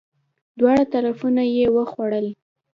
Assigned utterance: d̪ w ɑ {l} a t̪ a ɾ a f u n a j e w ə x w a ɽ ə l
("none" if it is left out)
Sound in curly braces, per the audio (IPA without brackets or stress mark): ɽ